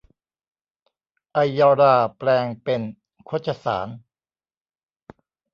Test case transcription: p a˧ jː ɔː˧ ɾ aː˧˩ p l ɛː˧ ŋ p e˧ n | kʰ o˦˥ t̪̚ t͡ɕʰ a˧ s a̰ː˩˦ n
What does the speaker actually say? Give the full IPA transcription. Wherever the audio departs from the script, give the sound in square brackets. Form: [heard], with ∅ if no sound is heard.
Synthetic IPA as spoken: [ʔ] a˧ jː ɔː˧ ɾ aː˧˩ p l ɛː˧ ŋ p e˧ n | kʰ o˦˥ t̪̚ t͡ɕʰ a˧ s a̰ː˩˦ n